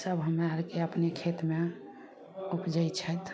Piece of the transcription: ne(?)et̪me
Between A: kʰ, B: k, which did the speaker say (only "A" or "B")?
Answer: A